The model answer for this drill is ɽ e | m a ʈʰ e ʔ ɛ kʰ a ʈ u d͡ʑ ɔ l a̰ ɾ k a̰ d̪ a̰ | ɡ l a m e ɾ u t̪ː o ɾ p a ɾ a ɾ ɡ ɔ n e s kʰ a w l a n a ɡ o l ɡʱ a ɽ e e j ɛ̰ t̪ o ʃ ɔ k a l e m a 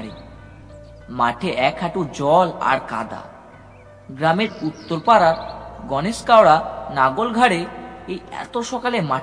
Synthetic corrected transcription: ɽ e | m a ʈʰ e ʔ ɛ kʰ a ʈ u d͡ʑ ɔ l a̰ ɾ k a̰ d̪ a̰ | ɡ ɾ a m e ɾ u t̪ː o ɾ p a ɾ a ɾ ɡ ɔ n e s k a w ɽ a n a ɡ o l ɡʱ a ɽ e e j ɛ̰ t̪ o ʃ ɔ k a l e m a